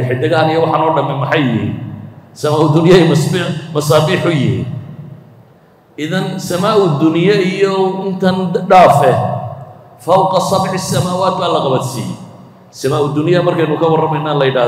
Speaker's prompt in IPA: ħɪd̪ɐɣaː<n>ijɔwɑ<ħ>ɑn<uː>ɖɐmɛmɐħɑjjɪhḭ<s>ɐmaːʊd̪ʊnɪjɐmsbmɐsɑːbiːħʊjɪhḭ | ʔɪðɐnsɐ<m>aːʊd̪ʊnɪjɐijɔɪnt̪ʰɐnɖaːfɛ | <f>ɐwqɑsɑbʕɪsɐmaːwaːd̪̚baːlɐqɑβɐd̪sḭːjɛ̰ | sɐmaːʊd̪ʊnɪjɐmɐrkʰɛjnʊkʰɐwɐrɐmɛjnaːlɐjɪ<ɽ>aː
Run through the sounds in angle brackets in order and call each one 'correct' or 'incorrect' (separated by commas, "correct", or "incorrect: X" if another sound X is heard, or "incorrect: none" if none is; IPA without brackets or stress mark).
correct, correct, incorrect: ɔː, correct, correct, correct, correct